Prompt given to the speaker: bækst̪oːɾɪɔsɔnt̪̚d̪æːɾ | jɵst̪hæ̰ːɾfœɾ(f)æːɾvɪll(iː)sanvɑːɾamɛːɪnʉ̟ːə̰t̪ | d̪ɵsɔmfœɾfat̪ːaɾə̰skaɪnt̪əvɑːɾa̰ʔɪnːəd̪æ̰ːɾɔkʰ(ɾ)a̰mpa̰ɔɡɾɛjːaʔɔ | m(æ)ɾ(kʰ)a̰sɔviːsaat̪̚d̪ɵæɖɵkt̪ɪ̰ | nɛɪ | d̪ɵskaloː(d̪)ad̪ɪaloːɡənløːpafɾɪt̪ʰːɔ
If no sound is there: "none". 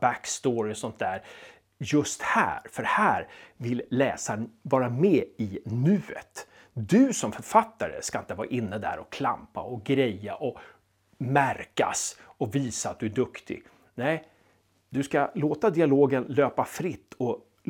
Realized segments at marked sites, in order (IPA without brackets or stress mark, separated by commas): h, ɛː, l, æ, k, t̪